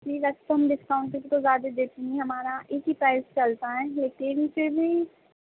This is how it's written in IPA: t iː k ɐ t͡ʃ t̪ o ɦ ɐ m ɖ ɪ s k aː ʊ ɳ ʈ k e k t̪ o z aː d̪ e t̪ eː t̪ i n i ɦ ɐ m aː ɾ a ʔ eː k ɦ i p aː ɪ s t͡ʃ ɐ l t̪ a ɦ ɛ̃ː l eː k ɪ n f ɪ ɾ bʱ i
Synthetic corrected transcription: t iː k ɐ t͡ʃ t̪ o ɦ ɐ m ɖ ɪ s k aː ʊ ɳ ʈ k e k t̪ o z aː d̪ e d̪ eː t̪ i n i ɦ ɐ m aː ɾ a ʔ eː k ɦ i p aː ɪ s t͡ʃ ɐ l t̪ a ɦ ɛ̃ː l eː k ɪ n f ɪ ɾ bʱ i